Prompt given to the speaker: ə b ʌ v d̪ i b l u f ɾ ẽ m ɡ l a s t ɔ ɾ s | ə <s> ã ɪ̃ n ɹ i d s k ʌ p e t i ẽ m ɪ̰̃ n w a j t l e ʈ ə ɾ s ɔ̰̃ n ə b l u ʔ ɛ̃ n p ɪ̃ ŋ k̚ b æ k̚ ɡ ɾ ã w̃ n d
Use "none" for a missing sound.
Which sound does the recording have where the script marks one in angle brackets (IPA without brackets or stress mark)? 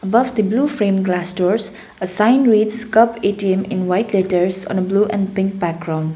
s